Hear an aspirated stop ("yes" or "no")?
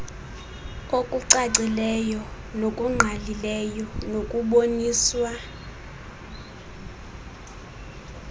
no